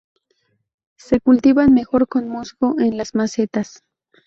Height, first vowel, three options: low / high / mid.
mid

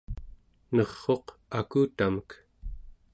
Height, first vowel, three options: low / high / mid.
mid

